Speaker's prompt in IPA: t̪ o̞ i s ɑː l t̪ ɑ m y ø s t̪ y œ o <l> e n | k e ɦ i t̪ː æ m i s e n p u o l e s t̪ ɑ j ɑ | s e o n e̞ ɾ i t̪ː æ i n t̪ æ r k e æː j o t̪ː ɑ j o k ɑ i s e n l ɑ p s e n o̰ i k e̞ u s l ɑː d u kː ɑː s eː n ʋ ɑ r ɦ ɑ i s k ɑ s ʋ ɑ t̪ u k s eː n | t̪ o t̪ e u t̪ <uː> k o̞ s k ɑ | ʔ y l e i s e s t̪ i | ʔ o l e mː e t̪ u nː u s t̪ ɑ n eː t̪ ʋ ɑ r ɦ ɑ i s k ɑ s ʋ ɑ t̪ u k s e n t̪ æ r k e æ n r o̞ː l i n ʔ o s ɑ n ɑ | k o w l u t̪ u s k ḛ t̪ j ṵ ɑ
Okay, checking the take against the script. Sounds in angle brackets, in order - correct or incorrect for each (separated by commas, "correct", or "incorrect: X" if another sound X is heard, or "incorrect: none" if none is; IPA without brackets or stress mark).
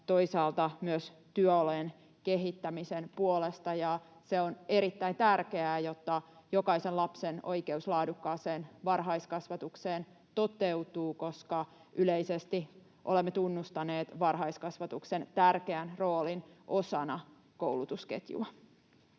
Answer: correct, correct